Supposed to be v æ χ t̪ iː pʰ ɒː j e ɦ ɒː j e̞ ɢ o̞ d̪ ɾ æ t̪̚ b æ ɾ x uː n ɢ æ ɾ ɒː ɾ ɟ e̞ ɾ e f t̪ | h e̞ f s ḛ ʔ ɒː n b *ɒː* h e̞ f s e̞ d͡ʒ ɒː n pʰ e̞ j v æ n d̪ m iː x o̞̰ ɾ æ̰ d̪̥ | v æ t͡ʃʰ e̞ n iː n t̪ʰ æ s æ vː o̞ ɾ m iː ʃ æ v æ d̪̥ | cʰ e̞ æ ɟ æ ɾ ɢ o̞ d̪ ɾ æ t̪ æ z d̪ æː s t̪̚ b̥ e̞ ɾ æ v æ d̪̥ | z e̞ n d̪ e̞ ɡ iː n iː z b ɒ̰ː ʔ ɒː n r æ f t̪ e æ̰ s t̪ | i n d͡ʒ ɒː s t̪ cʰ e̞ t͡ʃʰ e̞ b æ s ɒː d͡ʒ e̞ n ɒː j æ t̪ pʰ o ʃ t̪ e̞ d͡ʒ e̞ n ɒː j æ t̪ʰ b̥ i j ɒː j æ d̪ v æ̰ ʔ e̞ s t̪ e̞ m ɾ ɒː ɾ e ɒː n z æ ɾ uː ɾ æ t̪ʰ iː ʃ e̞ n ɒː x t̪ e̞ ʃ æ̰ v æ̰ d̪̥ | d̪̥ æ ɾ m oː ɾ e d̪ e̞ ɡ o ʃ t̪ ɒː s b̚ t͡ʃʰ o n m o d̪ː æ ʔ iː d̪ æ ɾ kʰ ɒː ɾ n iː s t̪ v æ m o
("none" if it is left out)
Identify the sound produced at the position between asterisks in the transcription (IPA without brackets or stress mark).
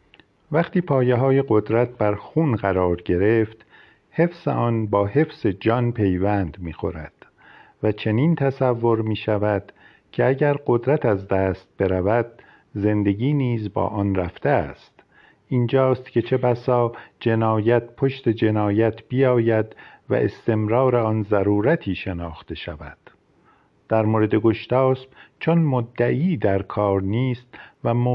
ɒː